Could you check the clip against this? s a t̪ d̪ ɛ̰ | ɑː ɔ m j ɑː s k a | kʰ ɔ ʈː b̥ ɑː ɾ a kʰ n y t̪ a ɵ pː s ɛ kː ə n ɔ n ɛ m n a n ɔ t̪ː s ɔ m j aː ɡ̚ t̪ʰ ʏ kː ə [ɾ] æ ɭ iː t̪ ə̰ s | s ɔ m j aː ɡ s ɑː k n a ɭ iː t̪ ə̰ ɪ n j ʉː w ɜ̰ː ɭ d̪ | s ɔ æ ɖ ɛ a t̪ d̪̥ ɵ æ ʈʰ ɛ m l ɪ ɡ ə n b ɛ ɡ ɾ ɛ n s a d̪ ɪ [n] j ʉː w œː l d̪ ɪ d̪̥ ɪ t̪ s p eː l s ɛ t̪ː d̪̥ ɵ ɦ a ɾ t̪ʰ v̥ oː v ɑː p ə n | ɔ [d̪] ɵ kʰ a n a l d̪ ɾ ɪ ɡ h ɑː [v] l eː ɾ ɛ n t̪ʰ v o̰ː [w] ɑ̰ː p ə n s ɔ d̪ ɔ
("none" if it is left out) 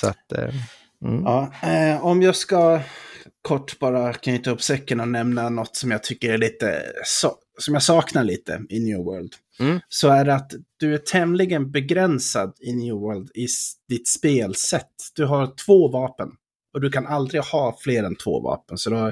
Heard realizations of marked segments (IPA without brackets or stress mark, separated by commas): ɾ, n, d̪, f, v